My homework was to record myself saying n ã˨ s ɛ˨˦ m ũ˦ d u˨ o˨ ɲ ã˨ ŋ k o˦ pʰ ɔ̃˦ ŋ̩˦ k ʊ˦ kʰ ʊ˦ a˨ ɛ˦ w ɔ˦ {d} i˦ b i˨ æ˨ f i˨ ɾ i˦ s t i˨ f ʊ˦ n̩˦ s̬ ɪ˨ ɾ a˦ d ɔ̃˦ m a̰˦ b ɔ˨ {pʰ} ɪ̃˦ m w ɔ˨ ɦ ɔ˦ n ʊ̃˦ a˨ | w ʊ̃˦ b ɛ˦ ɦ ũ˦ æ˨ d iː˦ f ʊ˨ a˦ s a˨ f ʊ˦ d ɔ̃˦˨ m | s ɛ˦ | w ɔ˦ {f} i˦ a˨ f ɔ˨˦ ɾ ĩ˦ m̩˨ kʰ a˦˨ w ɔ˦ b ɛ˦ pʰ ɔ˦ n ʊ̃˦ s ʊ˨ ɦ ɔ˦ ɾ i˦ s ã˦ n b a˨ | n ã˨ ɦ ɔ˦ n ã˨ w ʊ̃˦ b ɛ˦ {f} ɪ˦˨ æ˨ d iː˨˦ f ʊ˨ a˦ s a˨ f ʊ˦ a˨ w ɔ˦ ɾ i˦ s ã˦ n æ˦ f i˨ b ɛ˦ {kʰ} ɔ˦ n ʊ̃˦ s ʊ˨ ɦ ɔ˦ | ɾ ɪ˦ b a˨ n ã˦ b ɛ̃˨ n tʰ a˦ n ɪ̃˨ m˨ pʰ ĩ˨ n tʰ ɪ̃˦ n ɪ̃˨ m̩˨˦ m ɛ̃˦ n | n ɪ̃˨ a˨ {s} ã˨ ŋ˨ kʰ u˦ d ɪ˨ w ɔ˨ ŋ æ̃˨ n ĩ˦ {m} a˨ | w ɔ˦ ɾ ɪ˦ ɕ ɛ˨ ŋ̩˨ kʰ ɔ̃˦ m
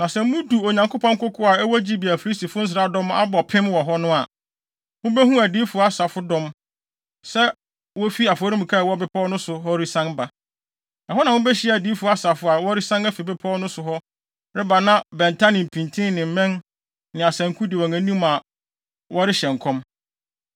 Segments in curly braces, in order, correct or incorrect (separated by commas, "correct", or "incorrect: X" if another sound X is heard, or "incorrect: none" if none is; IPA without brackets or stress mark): incorrect: d͡ʑ, correct, correct, incorrect: ɕ, incorrect: pʰ, correct, correct